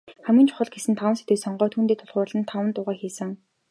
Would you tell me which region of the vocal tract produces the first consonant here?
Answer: uvula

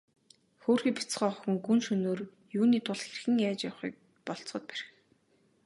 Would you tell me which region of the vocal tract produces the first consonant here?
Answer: velum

